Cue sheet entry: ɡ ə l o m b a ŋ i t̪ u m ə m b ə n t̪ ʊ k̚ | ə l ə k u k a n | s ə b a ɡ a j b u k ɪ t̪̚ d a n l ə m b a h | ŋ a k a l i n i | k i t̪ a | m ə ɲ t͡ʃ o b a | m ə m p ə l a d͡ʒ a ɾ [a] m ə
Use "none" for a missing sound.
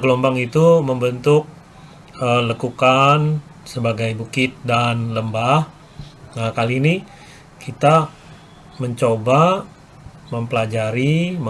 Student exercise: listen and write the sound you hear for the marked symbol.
i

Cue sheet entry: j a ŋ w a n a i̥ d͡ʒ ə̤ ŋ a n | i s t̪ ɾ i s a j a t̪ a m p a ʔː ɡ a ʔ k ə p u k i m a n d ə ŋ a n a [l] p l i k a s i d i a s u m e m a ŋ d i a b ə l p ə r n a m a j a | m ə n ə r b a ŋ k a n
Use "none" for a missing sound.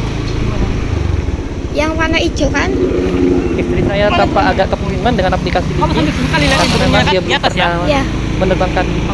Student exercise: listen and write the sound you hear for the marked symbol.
none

